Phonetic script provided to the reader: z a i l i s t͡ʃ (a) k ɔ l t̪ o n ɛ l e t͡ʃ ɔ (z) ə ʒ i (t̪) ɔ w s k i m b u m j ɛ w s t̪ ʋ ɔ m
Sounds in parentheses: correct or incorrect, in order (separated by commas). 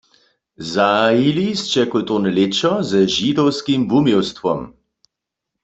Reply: incorrect, correct, incorrect